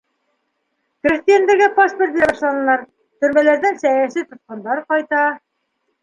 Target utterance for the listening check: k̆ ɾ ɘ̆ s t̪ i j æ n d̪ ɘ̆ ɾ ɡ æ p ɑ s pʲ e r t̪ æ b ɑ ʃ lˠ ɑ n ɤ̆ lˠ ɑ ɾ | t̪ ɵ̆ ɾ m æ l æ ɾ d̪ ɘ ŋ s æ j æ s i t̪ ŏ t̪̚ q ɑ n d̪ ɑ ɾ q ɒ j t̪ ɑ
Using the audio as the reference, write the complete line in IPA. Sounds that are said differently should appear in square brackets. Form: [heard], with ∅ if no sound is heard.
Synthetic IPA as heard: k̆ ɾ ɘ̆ s t̪ i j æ n d̪ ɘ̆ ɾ ɡ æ p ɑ s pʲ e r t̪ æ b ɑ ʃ lˠ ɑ n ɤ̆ lˠ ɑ ɾ | t̪ ɵ̆ ɾ m æ l æ ɾ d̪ ɘ ŋ s æ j æ s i t̪ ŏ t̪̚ q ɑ n d̪ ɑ ɾ q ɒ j t̪ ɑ